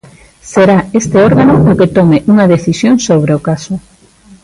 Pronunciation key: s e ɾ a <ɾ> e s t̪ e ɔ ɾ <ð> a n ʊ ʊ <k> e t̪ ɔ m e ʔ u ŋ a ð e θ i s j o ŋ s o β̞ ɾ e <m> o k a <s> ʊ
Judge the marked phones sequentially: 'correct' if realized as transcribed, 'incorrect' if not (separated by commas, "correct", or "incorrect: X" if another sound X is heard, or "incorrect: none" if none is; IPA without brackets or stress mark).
incorrect: none, incorrect: ɣ, correct, incorrect: none, correct